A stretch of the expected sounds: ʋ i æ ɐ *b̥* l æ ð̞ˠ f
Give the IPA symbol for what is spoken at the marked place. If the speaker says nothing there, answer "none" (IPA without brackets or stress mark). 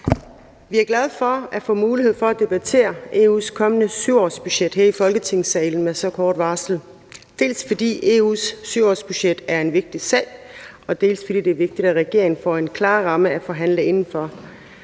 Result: ɡ̥